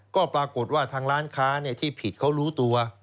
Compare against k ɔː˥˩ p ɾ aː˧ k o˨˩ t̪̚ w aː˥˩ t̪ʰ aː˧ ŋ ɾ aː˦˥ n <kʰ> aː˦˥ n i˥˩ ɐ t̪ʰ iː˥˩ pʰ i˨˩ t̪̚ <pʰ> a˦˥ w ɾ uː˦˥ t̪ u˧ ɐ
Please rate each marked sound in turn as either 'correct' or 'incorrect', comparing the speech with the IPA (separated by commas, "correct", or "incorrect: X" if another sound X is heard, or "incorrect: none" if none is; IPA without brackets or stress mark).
correct, incorrect: kʰ